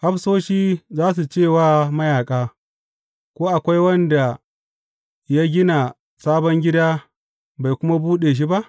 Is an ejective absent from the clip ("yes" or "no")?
no